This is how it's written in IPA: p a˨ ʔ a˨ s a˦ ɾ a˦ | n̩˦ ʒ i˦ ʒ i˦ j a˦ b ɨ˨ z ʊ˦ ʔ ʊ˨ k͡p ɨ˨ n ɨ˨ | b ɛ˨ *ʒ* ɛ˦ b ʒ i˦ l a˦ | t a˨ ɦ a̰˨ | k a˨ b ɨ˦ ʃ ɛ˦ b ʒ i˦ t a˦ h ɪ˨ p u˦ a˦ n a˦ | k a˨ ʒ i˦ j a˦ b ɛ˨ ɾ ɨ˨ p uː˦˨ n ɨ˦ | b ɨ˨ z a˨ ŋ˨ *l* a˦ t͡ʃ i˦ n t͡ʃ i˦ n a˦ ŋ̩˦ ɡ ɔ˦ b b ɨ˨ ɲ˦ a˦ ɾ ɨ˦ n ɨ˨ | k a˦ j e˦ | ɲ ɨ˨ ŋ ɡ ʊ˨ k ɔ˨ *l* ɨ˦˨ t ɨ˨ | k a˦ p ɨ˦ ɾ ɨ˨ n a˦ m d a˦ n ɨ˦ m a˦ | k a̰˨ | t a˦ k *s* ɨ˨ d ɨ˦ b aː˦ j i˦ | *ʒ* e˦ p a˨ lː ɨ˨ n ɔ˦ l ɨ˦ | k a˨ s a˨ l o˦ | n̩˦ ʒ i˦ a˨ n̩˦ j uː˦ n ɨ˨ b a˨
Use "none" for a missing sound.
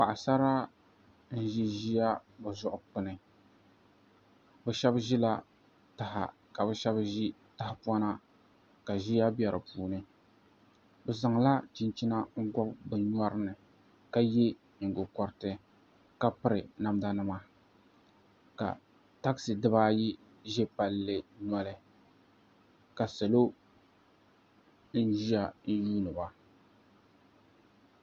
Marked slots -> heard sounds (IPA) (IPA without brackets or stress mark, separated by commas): ʃ, l, ɾ, s, ʒ